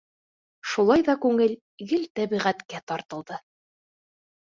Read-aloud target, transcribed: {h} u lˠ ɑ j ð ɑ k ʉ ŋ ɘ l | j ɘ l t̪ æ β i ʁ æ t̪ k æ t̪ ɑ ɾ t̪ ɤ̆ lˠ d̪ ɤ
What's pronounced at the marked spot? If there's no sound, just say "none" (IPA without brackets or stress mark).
ʃ